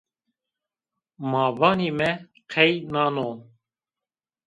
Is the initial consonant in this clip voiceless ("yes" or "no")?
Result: no